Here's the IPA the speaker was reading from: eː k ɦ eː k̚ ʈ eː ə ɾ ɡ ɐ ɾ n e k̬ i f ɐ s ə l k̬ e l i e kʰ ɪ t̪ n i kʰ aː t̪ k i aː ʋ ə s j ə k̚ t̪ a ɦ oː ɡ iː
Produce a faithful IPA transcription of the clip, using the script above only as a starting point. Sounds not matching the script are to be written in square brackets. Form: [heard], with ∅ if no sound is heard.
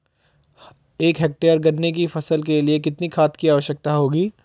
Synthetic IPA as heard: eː k ɦ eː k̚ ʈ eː ə ɾ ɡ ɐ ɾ n e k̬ i f ɐ s ə l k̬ e l i e [k] ɪ t̪ n i kʰ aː t̪ k i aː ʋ ə [ʃ] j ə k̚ t̪ a ɦ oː ɡ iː